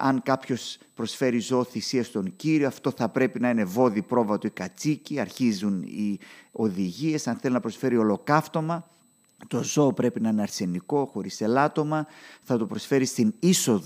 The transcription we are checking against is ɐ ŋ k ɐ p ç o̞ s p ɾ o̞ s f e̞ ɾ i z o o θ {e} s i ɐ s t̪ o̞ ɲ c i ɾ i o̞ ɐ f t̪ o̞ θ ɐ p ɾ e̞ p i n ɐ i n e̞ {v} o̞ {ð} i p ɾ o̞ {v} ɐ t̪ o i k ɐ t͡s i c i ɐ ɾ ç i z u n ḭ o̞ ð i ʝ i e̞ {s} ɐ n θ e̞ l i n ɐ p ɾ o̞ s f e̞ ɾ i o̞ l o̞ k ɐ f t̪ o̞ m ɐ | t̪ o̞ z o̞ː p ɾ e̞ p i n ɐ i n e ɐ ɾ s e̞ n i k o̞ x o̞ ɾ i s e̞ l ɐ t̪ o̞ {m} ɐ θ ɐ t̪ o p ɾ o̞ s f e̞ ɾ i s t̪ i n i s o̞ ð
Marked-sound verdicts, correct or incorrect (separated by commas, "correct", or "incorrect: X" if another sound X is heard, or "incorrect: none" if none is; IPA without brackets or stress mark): incorrect: i, correct, correct, correct, correct, correct